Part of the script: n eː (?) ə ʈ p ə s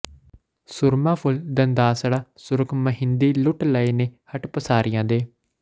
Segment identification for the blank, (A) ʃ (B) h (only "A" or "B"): B